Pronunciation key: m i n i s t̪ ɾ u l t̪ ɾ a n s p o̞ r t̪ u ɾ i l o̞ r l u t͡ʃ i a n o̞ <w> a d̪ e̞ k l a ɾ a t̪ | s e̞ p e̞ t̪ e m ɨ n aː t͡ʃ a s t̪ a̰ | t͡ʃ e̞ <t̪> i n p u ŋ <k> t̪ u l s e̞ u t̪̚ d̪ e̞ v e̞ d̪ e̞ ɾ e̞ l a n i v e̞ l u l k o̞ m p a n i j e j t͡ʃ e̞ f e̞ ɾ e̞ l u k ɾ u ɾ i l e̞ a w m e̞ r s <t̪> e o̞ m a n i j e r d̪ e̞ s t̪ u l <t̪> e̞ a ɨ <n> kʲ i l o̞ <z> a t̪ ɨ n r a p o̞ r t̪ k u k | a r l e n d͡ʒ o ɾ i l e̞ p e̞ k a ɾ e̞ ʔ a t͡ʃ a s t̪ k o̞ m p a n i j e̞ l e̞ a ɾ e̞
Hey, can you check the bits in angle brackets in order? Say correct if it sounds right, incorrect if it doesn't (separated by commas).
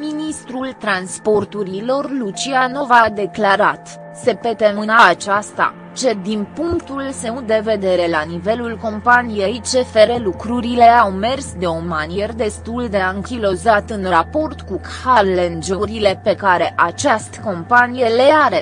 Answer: incorrect, incorrect, correct, incorrect, incorrect, incorrect, correct